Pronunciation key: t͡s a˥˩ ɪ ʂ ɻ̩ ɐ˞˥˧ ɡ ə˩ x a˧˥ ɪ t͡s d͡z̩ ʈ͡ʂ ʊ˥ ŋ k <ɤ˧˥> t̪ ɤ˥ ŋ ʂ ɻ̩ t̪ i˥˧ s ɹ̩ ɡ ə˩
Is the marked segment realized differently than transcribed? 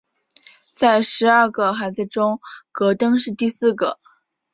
no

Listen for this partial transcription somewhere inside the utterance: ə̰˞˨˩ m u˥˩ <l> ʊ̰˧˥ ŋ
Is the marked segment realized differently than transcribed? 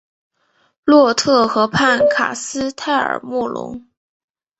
no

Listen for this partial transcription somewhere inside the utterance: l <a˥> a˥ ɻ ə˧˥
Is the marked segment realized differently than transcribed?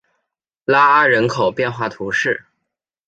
no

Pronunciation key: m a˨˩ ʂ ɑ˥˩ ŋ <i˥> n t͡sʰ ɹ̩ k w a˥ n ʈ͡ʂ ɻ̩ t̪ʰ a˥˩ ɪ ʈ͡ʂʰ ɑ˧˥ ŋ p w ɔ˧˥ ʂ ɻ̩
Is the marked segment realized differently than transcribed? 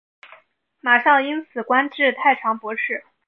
no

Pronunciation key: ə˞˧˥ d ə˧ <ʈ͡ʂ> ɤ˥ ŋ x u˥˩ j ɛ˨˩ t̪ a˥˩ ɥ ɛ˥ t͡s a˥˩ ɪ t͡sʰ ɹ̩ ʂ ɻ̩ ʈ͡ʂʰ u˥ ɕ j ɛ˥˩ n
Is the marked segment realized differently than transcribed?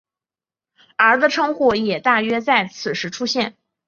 yes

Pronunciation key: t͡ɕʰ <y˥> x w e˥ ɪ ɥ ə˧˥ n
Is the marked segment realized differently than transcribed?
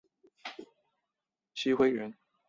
yes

